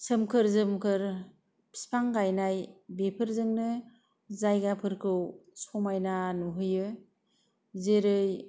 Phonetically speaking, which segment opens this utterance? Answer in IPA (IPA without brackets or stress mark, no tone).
s